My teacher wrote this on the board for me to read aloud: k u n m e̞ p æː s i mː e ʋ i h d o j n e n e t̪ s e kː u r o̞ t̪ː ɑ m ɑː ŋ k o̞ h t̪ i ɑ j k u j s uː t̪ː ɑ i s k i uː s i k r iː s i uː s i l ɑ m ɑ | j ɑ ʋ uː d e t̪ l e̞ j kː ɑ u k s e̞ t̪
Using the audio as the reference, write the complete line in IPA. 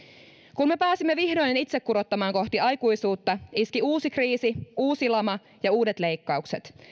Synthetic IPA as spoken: k u n m e̞ p æː s i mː e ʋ i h d o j n e n i t̪ s e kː u ɾ o̞ t̪ː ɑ m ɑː ŋ k o̞ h t̪ i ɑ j k u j s uː t̪ː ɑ i s k i uː s i k r iː s i uː s i l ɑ m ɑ | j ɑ uː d e t̪ l e̞ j kː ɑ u k s e̞ t̪

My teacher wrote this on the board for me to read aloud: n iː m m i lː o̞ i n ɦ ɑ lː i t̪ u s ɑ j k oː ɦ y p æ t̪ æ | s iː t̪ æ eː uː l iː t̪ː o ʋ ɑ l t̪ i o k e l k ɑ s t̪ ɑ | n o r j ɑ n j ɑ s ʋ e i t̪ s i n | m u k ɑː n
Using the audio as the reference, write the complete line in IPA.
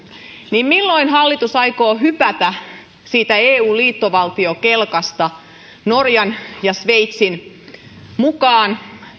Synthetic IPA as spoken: n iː m m i lː o̞ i n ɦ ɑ lː i t̪ u s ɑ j k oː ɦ y p æ t̪ æ | s iː t̪ æ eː uː l iː t̪ː o ʋ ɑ l t̪ i o k e l k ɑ s t̪ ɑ | n o r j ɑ n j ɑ s ʋ e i t̪ s i n | m u k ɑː n

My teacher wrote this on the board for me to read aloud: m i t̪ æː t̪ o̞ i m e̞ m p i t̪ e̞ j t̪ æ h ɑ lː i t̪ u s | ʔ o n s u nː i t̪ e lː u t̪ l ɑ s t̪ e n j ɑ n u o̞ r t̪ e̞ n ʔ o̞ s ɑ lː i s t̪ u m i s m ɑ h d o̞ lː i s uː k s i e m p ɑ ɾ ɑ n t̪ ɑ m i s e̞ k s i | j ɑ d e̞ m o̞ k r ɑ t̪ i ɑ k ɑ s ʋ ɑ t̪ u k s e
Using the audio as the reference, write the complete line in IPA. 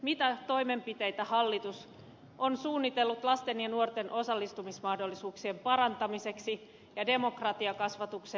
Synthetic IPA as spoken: m i t̪ æ t̪ o̞ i m e̞ m p i t̪ e̞ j t̪ æ h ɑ lː i t̪ u s | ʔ o n s uː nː i t̪ e lː u t̪ l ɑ s t̪ e n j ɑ n u o̞ r t̪ e̞ n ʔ o̞ s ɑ lː i s t̪ u m i s m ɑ h d o̞ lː i s uː k s i e m p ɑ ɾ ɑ n t̪ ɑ m i s e̞ k s i | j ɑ d e̞ m o̞ k r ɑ t̪ i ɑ k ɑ s ʋ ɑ t̪ u k s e

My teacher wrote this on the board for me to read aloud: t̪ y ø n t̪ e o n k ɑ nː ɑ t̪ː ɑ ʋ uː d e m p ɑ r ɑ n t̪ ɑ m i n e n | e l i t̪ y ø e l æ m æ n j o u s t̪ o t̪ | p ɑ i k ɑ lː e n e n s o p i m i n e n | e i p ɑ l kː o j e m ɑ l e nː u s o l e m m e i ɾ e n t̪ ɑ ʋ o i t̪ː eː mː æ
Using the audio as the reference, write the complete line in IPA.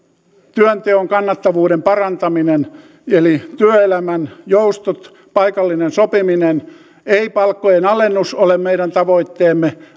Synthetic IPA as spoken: t̪ y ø n t̪ e o ŋ k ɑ nː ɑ t̪ː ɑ ʋ uː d e m p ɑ r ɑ n t̪ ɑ m i n e n | e l i t̪ y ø e l æ m æ n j o u s t̪ o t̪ | p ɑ i k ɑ lː i n e n s o p i m i n e n | e i p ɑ l kː o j e n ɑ l e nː u s o l e m m e i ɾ æ n t̪ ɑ ʋ o i t̪ː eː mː e

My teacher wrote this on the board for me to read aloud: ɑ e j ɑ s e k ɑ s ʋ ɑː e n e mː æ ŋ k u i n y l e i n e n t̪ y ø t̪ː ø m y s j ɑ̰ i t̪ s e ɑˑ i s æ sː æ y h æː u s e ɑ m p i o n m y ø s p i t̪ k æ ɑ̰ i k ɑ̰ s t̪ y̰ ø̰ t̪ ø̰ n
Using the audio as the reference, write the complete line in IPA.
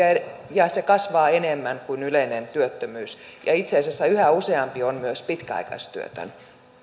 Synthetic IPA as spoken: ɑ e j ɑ s e k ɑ s ʋ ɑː e n e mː æ ŋ k u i n y l e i n e n t̪ y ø t̪ː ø m yː s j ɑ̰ i t̪ s e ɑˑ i s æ sː æ y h æ u s e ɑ m p i o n m y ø s p i t̪ k æ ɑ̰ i k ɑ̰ s t̪ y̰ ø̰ t̪ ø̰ n

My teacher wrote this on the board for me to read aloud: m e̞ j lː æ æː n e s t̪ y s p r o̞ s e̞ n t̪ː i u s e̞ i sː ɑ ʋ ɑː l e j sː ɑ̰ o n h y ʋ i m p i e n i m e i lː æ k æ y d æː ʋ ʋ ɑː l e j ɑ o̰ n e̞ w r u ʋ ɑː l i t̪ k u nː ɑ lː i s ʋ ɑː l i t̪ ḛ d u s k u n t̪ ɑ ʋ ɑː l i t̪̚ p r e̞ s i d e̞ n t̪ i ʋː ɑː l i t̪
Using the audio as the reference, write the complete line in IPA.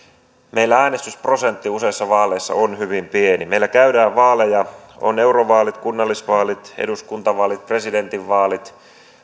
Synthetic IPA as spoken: m e̞ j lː æ æː n e s t̪ y s p r o̞ s e̞ n t̪ː i u s e̞ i sː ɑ ʋ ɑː l e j sː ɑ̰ o n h y ʋ i m p i e n i m e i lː æ k æ y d æː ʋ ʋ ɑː l e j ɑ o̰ n e̞ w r o ʋ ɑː l i t̪ k u nː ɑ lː i s ʋ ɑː l i t̪ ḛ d u s k u n t̪ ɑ ʋ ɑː l i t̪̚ p r e̞ s i d e̞ n t̪ i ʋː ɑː l i t̪

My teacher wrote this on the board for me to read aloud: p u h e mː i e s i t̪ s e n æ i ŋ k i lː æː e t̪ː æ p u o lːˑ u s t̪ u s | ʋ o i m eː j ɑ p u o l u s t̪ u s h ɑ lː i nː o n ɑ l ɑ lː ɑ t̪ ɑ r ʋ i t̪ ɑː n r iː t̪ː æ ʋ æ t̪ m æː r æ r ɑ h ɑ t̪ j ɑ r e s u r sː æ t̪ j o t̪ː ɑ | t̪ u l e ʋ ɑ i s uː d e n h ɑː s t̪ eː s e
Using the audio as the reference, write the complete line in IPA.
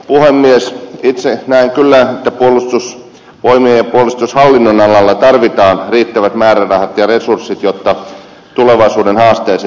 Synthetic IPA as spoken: p u h e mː i e s i t̪ s e n æ i ŋ k y lː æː e t̪ː æ p u o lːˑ u s t̪ u s | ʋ o i m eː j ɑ p u o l u s t̪ u s h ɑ lː i nː o n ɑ l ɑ lː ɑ t̪ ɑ r ʋ i t̪ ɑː n r iː t̪ː æ ʋ æ t̪ m æː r æ r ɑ h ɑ t̪ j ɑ r e s u r sː i t̪ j o t̪ː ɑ | t̪ u l e ʋ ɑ i s uː d e n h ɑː s t̪ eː s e

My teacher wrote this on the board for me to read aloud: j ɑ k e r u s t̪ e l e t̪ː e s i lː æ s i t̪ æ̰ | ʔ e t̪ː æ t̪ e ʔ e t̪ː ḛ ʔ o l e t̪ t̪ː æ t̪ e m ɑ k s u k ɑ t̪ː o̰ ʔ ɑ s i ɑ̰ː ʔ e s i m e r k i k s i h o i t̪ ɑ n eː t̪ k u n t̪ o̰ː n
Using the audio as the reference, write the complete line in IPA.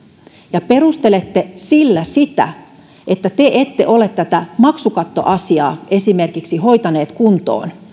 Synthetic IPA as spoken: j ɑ p e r u s t̪ e l e t̪ː e s i lː æ s i t̪ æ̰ | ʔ e t̪ː æ t̪ e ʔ e t̪ː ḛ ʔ o l e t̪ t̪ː æ t̪ æ m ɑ k s u k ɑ t̪ː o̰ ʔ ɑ s i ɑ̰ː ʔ e s i m e r k i k s i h o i t̪ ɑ n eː t̪ k u n t̪ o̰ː n

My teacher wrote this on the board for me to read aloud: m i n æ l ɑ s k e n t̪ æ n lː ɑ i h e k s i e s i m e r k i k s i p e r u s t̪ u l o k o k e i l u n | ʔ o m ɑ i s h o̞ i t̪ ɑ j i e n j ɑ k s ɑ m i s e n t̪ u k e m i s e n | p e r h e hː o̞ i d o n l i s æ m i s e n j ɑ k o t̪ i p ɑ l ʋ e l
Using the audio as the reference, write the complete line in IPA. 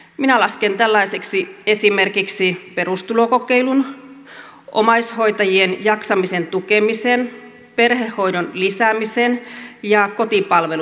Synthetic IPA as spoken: m i n æ l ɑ s k e n t̪ æ lː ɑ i s e k s i e s i m e r k i k s i p e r u s t̪ u l o k o k e i l u n | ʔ o m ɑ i s h o̞ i t̪ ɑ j i e n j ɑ k s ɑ m i s e n t̪ u k e m i s e n | p e r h e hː o̞ i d o n l i s æ m i s e n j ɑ k o t̪ i p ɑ l ʋ e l

